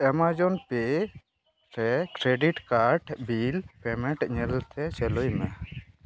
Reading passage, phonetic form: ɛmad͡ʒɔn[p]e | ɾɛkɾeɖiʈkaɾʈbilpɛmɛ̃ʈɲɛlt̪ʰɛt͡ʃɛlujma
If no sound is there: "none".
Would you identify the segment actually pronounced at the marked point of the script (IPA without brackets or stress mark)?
p